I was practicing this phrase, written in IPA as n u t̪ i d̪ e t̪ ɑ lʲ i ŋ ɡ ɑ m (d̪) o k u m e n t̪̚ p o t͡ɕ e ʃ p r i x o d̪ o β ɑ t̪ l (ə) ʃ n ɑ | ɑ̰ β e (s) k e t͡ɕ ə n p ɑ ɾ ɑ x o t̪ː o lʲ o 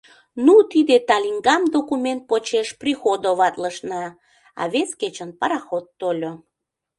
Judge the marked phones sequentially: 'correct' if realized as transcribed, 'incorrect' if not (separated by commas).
correct, correct, correct